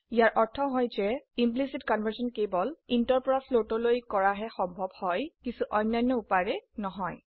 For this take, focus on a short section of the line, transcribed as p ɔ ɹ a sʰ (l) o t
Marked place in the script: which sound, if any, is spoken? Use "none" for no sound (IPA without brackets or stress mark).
l